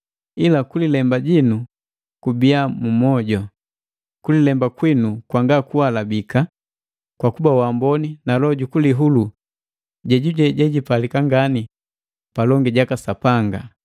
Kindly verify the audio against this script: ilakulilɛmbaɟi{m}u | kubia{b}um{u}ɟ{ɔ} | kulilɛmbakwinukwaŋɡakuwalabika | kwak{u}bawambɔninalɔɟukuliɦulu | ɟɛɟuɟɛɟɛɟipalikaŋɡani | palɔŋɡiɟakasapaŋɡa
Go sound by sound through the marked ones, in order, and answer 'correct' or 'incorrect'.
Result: incorrect: n, incorrect: m, incorrect: ɔ, correct, correct

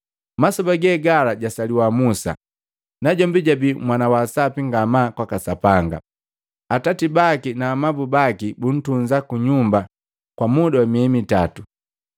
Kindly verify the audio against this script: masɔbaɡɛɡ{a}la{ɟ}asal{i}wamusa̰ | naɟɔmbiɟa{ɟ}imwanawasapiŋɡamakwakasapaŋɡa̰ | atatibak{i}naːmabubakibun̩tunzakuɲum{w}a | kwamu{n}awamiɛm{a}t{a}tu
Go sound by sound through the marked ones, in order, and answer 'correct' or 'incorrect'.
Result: correct, correct, correct, incorrect: b, correct, incorrect: b, incorrect: d, incorrect: i, correct

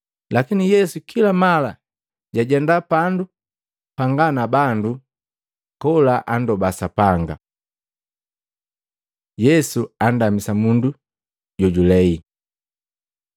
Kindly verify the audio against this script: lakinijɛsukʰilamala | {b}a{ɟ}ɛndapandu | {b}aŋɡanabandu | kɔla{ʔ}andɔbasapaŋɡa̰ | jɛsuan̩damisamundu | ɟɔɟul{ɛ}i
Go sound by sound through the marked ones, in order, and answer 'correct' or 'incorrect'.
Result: incorrect: ɟ, correct, incorrect: p, correct, correct

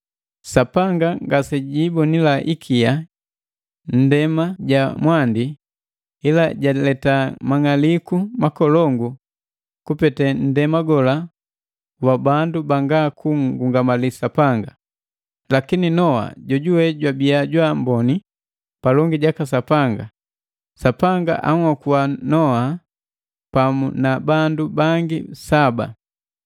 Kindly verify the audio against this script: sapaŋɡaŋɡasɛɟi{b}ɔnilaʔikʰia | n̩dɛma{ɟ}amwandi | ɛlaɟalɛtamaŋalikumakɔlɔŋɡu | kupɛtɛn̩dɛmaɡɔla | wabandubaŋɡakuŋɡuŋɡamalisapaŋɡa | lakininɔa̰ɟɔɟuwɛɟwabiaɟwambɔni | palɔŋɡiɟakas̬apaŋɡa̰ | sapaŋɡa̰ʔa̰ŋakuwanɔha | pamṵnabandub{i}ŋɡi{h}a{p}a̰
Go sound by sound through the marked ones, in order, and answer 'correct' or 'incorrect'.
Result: correct, correct, incorrect: a, incorrect: s, incorrect: b

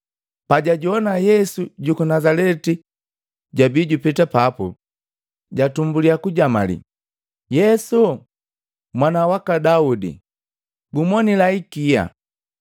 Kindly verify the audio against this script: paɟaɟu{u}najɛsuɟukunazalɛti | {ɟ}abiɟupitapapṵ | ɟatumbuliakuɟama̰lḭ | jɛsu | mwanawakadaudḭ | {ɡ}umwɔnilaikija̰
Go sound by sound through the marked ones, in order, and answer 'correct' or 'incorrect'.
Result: incorrect: ɔ, correct, correct

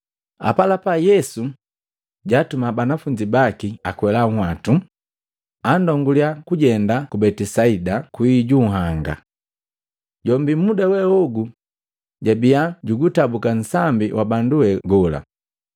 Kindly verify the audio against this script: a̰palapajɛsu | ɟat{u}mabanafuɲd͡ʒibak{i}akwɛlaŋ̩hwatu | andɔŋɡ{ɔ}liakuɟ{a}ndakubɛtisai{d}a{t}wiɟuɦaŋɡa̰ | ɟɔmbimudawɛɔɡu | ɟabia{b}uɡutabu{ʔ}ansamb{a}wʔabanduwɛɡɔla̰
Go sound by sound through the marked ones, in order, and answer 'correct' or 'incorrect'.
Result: correct, correct, incorrect: u, incorrect: ɛ, correct, incorrect: k, incorrect: ɟ, incorrect: k, incorrect: i

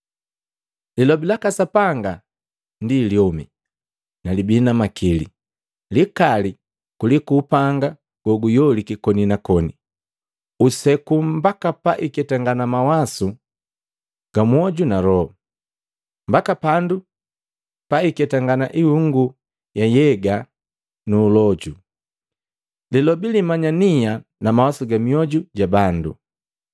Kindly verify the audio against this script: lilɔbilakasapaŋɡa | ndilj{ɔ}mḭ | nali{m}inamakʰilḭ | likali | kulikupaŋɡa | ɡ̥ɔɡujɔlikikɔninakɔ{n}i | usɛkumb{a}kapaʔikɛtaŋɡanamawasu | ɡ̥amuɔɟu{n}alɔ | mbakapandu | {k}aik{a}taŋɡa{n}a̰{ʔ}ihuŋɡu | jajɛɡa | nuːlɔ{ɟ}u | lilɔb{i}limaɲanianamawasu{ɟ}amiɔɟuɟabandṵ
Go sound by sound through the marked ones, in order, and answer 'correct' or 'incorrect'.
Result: correct, incorrect: b, correct, correct, correct, incorrect: p, incorrect: ɛ, correct, correct, correct, correct, incorrect: ɡ

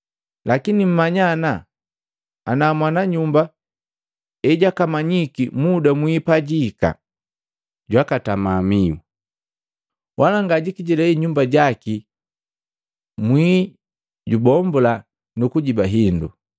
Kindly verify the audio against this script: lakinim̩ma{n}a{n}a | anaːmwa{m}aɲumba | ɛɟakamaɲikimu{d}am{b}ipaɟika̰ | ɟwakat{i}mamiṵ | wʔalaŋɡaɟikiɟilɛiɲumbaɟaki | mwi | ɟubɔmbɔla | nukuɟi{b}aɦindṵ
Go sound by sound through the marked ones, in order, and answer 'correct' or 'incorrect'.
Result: incorrect: ɲ, correct, incorrect: n, correct, incorrect: w, incorrect: a, correct

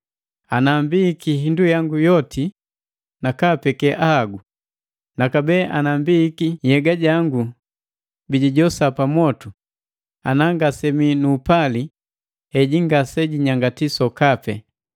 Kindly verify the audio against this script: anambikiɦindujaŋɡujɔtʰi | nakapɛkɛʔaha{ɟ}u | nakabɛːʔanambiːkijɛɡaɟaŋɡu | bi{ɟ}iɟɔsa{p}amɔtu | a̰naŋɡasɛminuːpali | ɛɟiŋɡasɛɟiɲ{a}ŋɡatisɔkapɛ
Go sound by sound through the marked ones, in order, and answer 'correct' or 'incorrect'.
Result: incorrect: ɡ, correct, correct, correct

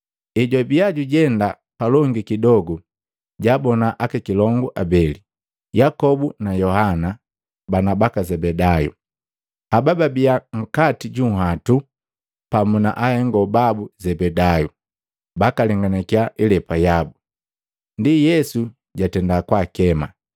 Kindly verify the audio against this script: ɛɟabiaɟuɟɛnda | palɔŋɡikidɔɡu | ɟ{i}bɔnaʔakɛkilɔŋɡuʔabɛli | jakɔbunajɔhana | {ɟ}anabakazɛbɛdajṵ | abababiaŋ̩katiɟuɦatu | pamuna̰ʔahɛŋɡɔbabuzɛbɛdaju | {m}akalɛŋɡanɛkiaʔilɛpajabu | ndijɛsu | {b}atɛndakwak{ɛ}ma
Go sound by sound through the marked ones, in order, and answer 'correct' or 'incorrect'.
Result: incorrect: a, incorrect: b, incorrect: b, incorrect: ɟ, correct

